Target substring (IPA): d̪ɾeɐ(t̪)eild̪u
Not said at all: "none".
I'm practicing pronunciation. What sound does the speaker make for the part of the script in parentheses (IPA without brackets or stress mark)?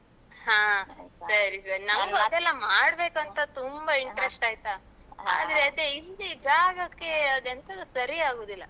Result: d̪